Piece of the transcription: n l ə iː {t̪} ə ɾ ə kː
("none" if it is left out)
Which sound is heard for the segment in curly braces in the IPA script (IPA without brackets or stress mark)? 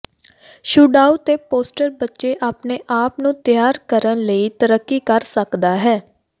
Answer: t̪